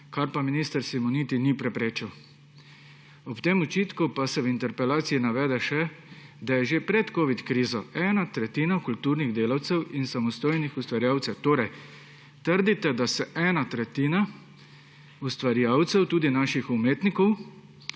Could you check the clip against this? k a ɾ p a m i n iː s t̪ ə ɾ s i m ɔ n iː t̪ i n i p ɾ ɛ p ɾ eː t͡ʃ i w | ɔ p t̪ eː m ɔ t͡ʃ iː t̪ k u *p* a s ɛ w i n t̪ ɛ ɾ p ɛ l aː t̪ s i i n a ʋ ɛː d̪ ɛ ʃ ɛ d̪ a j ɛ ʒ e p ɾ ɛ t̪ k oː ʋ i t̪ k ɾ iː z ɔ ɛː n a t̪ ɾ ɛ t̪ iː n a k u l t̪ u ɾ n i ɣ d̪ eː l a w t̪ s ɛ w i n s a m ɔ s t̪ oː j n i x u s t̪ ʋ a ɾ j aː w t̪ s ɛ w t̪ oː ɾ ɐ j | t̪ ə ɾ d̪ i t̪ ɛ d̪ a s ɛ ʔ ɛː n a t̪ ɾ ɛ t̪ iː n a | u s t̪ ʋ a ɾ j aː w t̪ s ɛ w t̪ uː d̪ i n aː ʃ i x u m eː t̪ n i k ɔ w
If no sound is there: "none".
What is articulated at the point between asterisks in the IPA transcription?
p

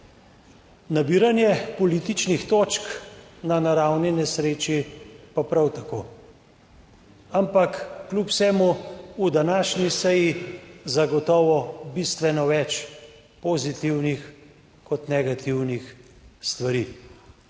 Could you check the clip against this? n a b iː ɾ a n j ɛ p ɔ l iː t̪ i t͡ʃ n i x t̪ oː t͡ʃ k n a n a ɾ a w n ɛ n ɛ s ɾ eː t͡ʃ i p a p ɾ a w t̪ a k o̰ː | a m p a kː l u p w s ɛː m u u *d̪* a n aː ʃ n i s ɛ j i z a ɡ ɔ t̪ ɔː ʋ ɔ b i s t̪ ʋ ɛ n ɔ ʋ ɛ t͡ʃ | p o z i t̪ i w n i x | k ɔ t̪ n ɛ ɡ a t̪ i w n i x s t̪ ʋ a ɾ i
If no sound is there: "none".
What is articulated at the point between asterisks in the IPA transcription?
d̪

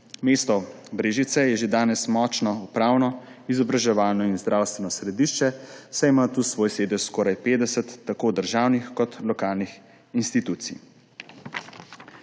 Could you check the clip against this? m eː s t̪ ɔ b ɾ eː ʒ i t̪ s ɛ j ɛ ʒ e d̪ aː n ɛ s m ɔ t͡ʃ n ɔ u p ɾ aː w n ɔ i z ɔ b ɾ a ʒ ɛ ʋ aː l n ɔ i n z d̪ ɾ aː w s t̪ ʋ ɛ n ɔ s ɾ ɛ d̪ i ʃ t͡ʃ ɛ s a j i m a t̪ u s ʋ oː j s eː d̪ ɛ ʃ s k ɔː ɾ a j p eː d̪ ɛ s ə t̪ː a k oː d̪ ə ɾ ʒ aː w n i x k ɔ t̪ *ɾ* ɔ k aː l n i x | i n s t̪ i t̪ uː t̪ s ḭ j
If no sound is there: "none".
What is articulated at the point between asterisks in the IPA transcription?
l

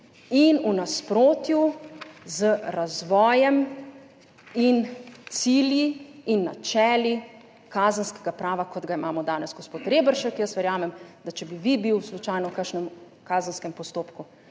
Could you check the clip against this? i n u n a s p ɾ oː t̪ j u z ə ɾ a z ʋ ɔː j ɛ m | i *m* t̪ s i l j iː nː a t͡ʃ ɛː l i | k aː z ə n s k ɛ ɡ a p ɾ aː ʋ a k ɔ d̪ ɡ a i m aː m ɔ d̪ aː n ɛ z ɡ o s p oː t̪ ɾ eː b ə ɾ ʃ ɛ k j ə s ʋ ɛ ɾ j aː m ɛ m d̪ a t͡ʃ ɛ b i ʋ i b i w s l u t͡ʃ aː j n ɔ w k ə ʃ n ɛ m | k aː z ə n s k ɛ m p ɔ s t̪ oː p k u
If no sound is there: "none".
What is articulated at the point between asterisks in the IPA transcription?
n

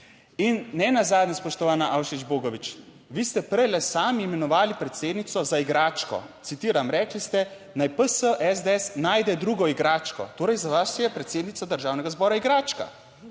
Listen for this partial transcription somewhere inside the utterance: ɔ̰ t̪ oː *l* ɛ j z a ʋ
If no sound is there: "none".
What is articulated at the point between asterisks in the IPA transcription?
ɾ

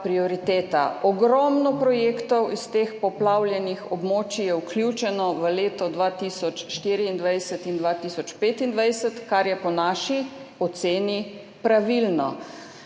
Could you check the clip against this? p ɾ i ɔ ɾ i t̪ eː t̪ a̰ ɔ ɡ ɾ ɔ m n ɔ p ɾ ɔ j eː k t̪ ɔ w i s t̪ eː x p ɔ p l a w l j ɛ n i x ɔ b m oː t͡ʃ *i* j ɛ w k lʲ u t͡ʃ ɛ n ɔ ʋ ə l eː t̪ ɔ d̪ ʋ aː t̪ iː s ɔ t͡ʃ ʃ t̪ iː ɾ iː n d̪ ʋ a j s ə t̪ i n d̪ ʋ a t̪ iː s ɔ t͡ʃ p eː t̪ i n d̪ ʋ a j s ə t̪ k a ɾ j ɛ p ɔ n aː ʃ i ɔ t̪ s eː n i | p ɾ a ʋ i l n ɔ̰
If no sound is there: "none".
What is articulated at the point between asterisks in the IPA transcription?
i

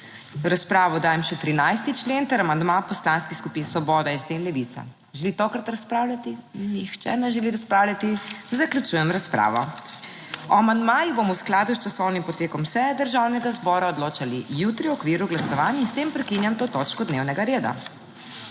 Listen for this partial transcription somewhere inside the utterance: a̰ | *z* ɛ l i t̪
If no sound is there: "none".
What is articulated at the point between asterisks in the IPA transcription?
ʒ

